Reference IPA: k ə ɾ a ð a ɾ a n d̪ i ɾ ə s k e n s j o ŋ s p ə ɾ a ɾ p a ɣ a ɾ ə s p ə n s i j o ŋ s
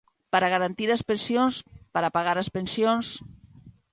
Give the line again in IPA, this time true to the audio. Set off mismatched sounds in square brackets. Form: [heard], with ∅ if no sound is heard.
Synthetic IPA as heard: [p] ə ɾ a [ɣ] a ɾ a n [t̪] i ɾ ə s [p] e n s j o [n] s p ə ɾ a [∅] p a ɣ a ɾ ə s p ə n s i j o [n] s